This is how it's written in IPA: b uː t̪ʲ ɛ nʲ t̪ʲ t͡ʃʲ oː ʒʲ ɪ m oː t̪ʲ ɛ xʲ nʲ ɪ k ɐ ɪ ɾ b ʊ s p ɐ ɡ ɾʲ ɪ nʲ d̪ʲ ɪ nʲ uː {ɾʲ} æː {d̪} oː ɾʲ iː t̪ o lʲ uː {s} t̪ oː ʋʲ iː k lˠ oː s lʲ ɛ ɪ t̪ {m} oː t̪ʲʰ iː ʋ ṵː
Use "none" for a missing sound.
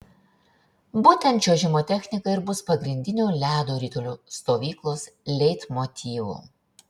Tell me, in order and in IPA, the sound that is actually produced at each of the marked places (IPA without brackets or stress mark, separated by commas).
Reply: lʲ, d̪, s, m